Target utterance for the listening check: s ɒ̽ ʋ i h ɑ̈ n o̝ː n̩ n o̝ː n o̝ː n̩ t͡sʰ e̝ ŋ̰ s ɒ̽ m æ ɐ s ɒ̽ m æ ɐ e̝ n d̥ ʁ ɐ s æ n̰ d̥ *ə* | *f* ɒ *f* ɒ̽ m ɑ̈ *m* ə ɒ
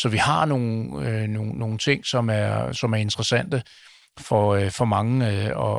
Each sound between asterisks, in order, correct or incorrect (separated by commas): correct, correct, correct, incorrect